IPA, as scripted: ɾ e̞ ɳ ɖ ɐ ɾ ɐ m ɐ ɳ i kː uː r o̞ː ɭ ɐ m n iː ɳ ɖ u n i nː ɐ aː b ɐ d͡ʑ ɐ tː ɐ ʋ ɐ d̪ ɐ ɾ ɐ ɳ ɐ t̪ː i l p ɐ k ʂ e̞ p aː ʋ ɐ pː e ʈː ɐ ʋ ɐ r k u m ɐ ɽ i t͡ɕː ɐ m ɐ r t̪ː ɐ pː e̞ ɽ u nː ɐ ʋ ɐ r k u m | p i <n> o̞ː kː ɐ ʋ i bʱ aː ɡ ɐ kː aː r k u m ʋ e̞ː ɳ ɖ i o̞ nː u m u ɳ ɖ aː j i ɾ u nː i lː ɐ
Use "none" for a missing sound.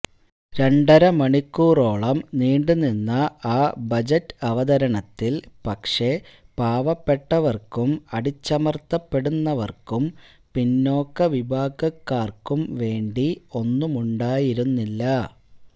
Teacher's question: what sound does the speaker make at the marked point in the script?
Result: nː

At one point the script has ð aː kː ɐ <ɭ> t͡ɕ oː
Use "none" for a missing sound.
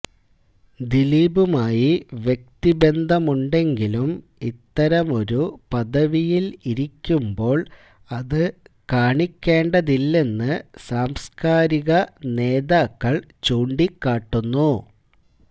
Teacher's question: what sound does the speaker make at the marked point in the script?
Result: ɭ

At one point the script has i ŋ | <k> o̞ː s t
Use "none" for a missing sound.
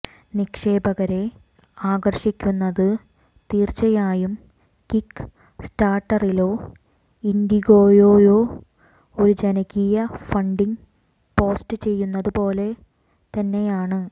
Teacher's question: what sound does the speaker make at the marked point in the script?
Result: p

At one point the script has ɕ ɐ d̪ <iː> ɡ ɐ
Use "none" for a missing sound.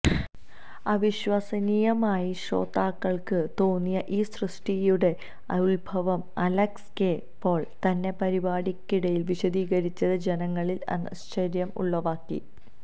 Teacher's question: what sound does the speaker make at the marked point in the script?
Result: iː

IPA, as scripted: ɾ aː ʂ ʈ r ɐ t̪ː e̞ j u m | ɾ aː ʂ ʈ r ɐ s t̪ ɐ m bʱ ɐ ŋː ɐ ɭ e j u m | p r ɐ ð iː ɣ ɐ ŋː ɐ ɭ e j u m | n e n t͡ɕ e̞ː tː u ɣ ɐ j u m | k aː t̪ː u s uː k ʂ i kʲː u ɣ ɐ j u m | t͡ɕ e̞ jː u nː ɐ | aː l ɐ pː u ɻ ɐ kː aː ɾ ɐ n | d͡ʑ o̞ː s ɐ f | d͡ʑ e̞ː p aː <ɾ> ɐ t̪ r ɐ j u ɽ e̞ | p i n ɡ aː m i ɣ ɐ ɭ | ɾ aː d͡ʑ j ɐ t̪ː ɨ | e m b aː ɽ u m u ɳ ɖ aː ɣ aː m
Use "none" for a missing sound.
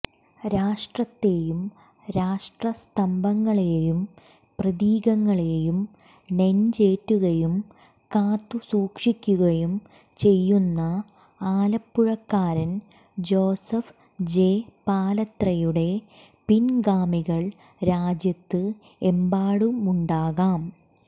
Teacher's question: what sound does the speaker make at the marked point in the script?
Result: l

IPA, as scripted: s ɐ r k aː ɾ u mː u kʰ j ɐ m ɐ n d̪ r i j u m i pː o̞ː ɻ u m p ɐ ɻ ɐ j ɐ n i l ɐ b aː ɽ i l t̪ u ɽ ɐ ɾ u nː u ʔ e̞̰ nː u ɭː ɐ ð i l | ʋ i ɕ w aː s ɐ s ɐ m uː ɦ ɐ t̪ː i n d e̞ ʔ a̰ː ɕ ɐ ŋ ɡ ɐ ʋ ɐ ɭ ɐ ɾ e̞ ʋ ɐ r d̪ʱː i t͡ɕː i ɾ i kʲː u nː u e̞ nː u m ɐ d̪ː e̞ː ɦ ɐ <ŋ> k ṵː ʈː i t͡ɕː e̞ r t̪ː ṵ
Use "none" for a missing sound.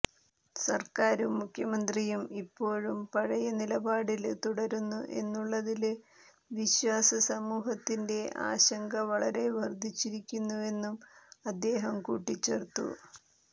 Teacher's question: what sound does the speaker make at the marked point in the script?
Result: m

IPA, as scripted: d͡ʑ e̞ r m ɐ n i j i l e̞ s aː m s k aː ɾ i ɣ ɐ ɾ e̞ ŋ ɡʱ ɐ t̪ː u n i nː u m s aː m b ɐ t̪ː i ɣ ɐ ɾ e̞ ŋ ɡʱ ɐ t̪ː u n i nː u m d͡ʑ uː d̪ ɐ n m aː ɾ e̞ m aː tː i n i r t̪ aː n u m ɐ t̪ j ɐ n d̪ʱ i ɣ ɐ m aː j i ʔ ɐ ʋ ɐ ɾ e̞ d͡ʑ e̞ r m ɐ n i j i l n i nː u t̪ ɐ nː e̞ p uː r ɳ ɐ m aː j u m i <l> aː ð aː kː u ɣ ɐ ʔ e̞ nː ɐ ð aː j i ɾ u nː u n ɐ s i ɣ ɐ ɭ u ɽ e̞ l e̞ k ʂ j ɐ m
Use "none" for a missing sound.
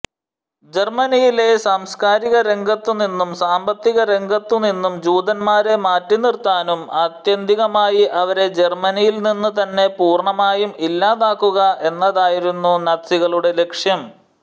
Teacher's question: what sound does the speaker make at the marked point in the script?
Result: lː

